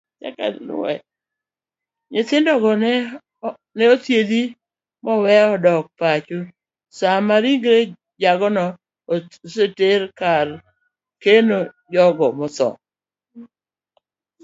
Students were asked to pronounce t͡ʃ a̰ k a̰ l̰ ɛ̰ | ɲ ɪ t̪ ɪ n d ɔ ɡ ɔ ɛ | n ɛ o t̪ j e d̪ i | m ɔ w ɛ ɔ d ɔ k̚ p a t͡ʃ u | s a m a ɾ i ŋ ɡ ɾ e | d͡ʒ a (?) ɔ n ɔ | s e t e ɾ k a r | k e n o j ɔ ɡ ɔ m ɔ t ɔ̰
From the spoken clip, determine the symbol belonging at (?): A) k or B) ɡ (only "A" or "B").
B